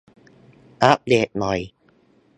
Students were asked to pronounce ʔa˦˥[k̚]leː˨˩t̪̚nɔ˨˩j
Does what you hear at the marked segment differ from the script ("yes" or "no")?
yes